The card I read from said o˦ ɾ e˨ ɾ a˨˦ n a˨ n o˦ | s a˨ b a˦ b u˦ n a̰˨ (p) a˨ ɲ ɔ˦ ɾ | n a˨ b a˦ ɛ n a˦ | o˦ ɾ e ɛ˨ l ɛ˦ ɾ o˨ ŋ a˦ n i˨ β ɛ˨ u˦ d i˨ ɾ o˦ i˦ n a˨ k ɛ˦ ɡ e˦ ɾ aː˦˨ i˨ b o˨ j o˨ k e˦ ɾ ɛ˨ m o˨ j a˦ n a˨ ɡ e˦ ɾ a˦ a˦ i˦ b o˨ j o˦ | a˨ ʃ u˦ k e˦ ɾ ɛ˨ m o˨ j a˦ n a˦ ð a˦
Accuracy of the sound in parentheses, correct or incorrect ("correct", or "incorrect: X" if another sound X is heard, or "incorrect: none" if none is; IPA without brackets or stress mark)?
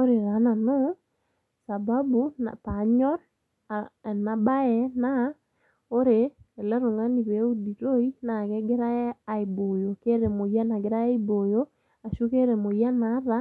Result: correct